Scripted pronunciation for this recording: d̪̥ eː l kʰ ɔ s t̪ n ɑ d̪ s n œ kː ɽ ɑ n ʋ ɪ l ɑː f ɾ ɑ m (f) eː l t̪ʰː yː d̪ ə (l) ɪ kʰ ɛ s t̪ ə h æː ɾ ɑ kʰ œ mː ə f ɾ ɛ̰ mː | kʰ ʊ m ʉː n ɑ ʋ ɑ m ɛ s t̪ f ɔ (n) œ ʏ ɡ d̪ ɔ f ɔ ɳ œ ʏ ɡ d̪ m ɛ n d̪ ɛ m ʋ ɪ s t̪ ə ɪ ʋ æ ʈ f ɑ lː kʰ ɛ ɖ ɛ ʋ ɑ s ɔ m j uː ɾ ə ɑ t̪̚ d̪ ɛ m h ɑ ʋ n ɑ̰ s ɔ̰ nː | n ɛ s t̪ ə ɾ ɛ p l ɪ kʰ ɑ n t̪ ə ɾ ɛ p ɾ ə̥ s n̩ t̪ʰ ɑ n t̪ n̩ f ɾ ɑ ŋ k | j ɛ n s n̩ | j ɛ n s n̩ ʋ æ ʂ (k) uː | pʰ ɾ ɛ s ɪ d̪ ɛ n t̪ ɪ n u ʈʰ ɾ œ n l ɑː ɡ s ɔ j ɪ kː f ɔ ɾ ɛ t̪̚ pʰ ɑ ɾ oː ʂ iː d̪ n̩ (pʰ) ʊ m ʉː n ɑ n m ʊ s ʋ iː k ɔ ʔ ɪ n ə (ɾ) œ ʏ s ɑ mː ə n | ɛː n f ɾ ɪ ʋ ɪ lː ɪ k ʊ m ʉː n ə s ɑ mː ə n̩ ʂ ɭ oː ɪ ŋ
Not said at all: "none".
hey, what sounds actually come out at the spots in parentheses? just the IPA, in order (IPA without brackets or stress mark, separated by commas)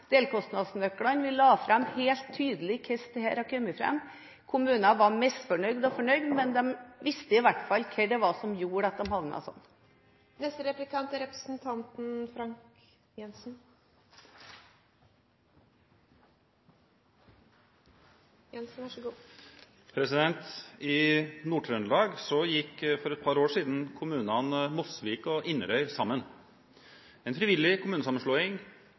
h, l, ɳ, ɡ, kʰ, ɾ